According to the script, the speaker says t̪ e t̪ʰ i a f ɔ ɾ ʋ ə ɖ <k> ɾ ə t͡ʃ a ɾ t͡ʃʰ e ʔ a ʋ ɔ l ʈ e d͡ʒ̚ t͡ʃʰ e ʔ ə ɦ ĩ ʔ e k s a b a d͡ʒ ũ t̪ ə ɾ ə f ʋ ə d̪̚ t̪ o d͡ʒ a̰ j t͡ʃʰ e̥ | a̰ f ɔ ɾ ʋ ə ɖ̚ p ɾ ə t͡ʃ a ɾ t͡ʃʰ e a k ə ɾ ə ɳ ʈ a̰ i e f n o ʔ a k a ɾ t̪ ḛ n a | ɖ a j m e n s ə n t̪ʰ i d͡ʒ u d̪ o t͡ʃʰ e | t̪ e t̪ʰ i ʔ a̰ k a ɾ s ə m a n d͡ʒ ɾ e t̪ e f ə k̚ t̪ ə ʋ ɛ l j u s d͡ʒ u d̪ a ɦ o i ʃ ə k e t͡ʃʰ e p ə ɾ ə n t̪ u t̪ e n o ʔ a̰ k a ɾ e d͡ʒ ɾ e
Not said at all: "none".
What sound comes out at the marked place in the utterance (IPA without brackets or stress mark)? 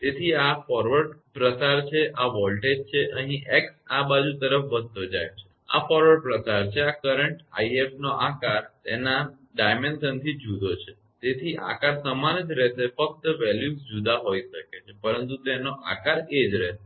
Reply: p